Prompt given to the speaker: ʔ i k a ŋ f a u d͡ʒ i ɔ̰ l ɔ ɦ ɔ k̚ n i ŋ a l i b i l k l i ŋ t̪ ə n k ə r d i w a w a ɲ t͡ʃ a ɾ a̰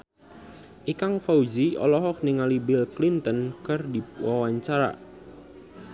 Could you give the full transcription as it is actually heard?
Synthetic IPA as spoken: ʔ i k a ŋ f a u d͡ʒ i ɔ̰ l ɔ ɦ ɔ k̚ n i ŋ a l i b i l k l i n t̪ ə n k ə r d i w a w a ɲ t͡ʃ a ɾ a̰